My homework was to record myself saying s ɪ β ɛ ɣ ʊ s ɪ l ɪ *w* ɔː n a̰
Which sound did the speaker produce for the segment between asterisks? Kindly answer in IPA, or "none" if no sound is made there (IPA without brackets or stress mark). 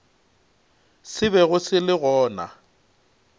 ɣ